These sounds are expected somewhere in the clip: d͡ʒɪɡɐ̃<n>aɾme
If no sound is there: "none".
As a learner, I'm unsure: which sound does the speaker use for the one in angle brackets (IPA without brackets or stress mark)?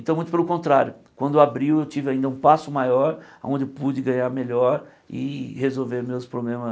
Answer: ɲ